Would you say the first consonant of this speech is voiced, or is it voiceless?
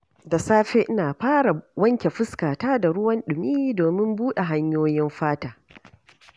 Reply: voiced